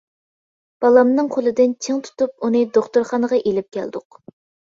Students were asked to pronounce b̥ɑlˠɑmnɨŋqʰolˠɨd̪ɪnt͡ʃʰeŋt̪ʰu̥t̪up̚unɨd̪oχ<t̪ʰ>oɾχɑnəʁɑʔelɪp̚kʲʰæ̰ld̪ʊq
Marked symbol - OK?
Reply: no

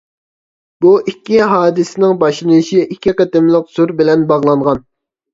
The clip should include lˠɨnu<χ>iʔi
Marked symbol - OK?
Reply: no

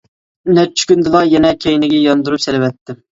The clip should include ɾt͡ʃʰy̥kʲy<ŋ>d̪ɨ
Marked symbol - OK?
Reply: no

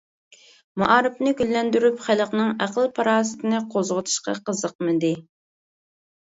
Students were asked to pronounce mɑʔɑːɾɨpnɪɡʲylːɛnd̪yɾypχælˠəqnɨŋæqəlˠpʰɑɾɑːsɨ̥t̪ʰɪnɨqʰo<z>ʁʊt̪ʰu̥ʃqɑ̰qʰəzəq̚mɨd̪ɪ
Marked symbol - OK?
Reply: yes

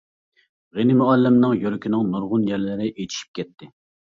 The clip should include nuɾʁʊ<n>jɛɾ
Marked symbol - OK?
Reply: yes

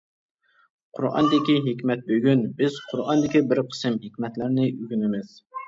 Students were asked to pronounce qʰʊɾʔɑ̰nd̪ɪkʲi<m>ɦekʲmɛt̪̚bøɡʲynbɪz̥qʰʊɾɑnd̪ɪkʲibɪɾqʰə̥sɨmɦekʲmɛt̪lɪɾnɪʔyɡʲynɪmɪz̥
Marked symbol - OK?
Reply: no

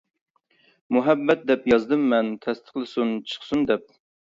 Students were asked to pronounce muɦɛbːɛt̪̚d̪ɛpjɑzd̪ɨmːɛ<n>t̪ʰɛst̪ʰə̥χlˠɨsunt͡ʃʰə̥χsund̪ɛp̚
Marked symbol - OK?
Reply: yes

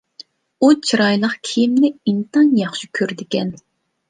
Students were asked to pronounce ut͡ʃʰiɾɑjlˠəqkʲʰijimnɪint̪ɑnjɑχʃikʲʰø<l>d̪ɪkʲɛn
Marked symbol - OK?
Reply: no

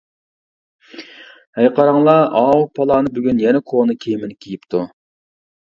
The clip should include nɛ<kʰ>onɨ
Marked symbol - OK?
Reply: yes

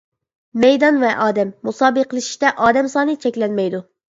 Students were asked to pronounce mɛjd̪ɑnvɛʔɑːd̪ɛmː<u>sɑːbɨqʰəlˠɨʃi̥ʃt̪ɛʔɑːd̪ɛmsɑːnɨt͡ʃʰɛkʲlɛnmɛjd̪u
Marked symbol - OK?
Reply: yes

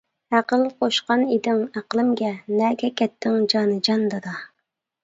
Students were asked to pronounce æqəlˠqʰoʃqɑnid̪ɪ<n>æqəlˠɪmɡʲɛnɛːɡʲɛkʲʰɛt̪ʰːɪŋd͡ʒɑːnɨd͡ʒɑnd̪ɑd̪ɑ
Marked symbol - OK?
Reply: no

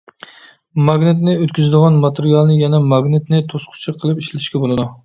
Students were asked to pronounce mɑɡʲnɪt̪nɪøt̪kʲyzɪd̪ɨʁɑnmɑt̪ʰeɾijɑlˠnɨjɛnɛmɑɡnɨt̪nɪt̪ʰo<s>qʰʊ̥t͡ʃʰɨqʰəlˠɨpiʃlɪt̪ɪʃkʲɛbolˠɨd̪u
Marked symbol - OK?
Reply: yes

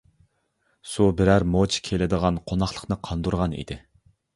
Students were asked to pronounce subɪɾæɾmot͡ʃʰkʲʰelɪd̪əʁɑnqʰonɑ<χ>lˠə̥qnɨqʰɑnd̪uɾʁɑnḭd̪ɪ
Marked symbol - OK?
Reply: yes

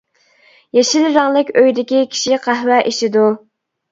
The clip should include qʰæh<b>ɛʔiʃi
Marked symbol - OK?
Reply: no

